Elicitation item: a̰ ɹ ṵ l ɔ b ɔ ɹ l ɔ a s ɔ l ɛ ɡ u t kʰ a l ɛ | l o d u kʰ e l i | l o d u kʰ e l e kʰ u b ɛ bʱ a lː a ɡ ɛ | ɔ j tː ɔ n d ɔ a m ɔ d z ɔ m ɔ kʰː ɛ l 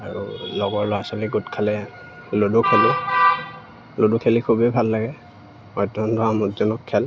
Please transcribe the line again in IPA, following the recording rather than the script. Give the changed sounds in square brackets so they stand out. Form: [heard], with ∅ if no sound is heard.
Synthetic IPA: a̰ ɹ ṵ l ɔ [ɡ] ɔ ɹ l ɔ a s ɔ l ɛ ɡ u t kʰ a l ɛ | l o d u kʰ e l i | l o d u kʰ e l [i] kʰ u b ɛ bʱ a lː a ɡ ɛ | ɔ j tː ɔ n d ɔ a m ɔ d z ɔ [n] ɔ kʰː ɛ l